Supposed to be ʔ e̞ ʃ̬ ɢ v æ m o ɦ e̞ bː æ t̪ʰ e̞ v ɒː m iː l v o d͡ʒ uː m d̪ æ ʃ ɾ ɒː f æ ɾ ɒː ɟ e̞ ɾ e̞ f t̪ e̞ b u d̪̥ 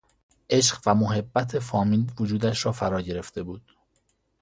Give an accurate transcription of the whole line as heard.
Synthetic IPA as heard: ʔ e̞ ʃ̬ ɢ v æ m o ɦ e̞ bː æ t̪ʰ e̞ f ɒː m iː l v o d͡ʒ uː d̪ æ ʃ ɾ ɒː f æ ɾ ɒː ɟ e̞ ɾ e̞ f t̪ e̞ b uː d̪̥